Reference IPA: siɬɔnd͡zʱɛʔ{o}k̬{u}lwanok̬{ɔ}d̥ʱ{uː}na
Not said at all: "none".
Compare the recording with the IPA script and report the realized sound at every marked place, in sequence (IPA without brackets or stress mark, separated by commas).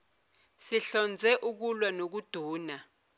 u, u, u, uː